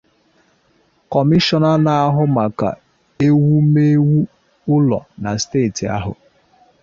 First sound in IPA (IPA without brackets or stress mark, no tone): k